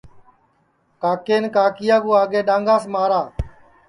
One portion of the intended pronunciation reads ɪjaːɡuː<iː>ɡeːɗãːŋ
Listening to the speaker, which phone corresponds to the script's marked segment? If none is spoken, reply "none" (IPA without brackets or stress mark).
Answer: aː